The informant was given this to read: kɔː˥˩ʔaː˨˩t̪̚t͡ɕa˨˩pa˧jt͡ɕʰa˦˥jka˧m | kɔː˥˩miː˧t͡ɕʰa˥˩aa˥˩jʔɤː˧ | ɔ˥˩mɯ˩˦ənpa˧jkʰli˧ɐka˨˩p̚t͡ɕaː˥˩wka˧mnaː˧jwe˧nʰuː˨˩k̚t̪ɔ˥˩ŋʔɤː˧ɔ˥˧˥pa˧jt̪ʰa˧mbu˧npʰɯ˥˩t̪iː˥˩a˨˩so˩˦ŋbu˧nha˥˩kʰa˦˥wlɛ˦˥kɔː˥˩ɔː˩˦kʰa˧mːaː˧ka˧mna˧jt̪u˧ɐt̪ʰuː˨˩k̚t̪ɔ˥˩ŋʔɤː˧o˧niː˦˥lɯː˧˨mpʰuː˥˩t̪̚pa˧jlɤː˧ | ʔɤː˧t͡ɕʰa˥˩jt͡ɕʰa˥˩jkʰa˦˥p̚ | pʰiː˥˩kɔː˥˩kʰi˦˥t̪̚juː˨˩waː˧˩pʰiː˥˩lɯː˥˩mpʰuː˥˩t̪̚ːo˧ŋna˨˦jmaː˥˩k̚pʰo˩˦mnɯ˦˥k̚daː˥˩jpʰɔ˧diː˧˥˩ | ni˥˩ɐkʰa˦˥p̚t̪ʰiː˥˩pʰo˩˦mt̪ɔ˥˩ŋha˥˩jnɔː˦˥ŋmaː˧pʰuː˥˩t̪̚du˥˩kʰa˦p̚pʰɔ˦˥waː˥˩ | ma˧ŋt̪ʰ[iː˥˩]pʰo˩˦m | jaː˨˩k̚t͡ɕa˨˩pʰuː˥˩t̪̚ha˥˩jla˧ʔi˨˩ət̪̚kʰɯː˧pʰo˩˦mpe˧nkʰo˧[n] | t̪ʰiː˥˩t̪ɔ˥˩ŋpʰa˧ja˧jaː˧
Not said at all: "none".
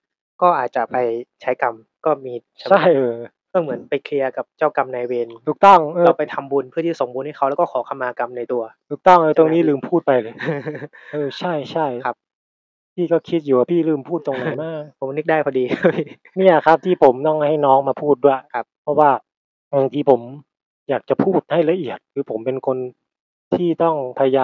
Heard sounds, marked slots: iː˧, n

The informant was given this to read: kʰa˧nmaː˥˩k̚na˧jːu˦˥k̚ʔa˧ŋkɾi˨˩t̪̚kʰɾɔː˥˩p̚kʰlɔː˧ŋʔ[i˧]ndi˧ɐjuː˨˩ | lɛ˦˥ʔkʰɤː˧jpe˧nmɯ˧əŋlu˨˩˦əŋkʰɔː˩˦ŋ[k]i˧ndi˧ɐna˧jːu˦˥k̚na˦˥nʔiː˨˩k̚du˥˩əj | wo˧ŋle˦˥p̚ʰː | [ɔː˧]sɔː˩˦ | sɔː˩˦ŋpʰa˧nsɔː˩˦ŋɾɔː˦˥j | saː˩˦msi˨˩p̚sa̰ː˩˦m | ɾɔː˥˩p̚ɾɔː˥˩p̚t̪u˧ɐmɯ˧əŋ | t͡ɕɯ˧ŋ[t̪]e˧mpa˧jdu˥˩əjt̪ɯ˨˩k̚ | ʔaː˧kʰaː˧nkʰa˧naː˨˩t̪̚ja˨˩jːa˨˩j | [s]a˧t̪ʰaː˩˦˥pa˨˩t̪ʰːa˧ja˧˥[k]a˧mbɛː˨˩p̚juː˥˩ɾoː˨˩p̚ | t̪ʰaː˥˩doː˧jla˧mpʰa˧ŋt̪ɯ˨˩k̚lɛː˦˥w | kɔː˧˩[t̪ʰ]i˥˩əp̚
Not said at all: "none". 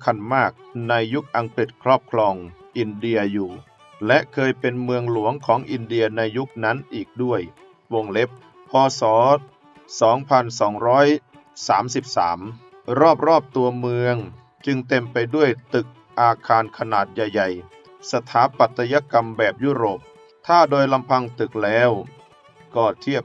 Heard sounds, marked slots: i˧, ʔ, ɔː˧, t̪, s, k, t̪ʰ

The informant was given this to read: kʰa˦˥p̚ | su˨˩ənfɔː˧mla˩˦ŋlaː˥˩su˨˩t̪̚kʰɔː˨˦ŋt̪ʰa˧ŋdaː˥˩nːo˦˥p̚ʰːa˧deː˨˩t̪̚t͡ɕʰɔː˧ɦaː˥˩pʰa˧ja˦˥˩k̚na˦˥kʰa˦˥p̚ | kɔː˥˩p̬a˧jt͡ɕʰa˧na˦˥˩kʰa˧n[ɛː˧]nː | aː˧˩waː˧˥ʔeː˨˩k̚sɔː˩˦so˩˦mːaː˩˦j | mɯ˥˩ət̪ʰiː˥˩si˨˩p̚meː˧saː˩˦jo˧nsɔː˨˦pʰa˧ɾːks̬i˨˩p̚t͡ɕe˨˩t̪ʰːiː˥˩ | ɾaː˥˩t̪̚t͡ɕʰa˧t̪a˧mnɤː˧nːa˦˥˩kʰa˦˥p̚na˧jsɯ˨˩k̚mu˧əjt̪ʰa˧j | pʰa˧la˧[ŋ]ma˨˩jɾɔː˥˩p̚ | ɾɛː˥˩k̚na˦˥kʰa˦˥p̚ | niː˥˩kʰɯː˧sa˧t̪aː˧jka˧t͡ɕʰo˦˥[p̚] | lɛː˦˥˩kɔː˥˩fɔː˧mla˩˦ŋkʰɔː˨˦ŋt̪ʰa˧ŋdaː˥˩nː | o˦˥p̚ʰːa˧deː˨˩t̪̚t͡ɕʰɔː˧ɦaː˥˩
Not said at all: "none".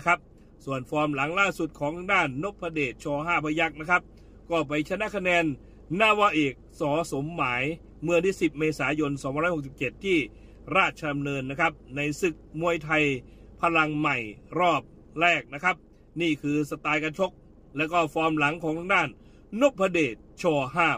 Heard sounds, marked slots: ɛː˧, ŋ, k̚

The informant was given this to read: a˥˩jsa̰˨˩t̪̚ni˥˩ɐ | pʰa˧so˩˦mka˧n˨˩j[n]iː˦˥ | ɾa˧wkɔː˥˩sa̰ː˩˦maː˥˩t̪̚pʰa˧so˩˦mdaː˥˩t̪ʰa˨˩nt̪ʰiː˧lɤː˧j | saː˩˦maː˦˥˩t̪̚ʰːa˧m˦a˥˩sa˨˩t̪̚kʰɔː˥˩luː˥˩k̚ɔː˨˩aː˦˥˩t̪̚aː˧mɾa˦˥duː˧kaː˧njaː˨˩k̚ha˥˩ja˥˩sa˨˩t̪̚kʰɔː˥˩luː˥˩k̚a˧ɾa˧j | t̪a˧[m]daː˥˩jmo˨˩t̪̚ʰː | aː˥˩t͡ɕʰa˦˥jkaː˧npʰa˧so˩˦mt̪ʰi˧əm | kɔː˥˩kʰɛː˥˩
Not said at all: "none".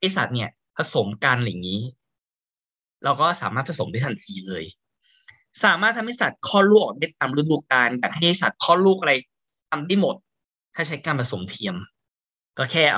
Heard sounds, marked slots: ŋ, m

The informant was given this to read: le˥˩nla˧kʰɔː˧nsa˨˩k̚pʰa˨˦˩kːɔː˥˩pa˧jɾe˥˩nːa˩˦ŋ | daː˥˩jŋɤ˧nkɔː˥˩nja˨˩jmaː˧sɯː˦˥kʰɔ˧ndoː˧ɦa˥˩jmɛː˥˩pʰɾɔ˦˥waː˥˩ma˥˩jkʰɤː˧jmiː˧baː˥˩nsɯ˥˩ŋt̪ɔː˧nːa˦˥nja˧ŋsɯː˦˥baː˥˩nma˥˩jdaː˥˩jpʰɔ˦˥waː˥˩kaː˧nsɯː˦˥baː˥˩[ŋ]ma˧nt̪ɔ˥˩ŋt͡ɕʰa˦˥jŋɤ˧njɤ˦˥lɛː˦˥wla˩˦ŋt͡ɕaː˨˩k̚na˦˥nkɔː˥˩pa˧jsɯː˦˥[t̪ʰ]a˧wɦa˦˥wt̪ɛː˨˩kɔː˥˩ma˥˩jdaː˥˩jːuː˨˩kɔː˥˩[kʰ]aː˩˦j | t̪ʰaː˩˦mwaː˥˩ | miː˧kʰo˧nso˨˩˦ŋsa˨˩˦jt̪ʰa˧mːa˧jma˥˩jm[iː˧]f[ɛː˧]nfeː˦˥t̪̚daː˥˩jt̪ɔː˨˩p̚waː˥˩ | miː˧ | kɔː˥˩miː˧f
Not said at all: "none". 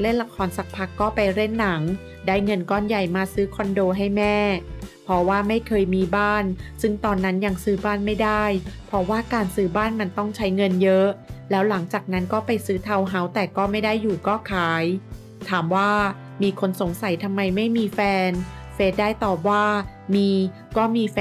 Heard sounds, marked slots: n, t̪ʰ, kʰ, iː˧, ɛː˧

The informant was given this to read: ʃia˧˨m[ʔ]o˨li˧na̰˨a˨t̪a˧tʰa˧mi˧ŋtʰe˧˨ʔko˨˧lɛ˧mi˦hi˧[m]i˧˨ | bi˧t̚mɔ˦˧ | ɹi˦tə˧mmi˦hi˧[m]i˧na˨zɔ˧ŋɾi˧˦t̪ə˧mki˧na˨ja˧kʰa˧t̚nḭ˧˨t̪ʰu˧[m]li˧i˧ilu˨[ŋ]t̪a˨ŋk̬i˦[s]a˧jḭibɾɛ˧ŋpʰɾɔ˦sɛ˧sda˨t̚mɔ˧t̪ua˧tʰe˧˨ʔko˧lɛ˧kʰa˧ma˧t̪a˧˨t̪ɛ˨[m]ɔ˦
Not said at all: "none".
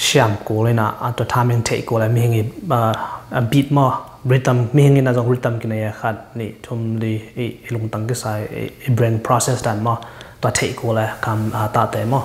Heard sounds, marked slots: k, ŋ, ŋ, m, ŋ, s, m

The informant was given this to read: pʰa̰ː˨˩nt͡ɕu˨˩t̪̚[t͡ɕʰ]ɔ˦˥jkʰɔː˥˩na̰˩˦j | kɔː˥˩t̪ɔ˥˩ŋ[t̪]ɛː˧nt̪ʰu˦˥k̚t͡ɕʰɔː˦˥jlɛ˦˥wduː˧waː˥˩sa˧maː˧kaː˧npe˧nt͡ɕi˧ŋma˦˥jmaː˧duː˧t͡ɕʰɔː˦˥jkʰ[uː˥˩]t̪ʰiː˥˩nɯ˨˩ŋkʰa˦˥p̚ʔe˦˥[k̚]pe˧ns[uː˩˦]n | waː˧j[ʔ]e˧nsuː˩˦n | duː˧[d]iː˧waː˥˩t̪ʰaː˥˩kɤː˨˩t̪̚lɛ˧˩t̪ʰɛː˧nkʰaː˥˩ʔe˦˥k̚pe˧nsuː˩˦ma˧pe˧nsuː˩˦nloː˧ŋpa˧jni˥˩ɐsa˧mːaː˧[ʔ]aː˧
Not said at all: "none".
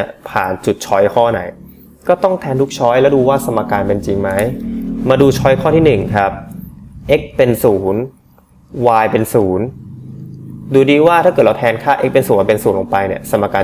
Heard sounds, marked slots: t͡ɕʰ, t̪ʰ, ɔː˥˩, k̚, uː˩˦, p, d, k

